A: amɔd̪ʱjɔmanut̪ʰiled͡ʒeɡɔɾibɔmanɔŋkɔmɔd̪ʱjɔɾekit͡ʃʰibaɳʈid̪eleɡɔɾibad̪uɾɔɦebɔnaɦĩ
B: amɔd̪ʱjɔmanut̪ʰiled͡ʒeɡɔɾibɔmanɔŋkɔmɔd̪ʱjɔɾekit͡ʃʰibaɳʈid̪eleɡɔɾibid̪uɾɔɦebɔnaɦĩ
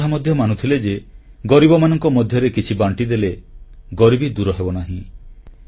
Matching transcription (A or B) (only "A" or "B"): B